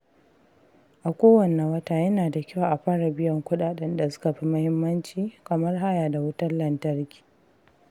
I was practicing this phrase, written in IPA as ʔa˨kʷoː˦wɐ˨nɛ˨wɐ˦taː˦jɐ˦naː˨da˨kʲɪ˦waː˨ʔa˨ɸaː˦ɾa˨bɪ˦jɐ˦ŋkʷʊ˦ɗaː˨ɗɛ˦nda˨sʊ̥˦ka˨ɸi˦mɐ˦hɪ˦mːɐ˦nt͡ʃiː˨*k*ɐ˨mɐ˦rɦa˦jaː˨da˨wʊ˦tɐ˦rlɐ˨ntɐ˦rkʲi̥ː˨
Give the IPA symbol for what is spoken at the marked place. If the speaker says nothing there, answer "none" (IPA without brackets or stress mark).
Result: k